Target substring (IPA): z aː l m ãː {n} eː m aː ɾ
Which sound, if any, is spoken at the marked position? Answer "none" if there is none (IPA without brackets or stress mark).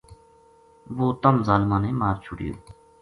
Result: n